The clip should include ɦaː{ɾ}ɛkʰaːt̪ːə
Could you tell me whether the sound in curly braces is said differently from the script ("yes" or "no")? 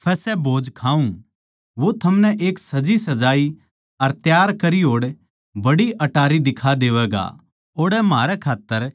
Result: no